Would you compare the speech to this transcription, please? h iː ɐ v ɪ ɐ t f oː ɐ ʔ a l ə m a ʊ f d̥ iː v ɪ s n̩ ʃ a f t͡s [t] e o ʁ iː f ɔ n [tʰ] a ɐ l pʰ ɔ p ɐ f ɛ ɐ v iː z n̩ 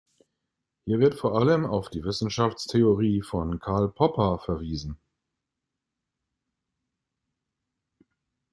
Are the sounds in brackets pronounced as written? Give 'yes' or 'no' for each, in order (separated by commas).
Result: no, no